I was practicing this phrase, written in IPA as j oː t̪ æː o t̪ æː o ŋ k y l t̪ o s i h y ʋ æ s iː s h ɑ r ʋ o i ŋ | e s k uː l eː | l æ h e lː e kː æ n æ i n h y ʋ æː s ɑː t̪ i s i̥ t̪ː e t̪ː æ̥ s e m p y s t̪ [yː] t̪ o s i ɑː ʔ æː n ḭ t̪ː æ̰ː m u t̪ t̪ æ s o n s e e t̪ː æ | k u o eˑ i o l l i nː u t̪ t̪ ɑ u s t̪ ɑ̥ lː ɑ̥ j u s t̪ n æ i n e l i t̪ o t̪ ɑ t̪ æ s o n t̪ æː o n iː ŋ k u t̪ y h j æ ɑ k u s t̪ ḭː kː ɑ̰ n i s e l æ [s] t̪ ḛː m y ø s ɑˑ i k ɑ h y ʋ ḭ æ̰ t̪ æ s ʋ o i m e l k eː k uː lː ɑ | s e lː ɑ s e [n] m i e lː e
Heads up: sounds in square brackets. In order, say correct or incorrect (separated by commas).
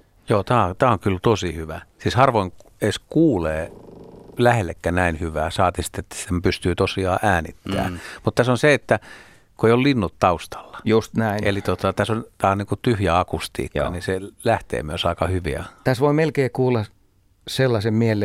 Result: correct, incorrect, incorrect